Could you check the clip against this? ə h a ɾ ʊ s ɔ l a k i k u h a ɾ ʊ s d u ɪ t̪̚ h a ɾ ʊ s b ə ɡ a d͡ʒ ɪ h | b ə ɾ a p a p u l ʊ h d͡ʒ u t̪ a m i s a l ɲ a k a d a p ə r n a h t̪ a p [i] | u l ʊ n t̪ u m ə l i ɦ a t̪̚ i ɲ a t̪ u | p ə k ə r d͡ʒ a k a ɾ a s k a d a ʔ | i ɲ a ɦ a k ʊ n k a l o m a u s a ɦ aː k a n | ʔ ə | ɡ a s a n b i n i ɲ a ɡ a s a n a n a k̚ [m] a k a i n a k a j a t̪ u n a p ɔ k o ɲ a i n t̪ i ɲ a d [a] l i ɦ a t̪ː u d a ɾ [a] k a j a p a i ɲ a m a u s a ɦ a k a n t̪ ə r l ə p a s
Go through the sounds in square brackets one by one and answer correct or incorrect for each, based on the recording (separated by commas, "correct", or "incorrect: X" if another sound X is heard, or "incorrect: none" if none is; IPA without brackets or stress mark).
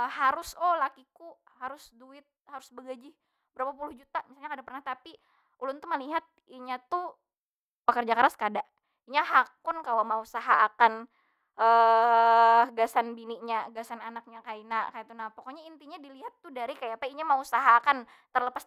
correct, incorrect: ɲ, incorrect: i, incorrect: i